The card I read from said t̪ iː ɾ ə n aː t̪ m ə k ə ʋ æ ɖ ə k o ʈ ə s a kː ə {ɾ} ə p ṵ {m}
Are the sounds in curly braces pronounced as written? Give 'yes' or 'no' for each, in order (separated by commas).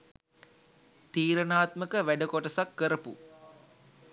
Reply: yes, no